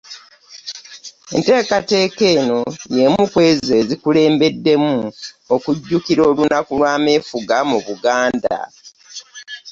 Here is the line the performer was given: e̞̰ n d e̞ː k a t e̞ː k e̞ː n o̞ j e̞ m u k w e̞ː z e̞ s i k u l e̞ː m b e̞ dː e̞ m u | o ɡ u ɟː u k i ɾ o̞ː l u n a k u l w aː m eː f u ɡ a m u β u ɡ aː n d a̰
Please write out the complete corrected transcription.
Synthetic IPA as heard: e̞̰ n t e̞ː k a t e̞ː k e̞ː n o̞ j e̞ m u k w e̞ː z e̞ z i k u l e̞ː m b e̞ dː e̞ m u | o k u ɟː u k i ɾ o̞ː l u n a k u l w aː m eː f u ɡ a m u β u ɡ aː n d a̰